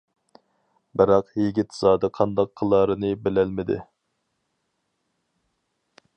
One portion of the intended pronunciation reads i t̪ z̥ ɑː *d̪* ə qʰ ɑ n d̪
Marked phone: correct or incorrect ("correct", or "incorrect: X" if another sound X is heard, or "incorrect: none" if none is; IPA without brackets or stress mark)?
correct